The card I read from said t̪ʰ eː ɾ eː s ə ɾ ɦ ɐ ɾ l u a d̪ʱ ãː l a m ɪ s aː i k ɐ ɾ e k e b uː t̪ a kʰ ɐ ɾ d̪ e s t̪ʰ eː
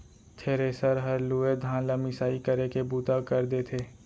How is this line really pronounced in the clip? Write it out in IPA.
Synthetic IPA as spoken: t̪ʰ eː ɾ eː s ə ɾ ɦ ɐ ɾ l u e d̪ʱ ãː l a m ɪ s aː i k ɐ ɾ e k e b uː t̪ a k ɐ ɾ d̪ e t̪ʰ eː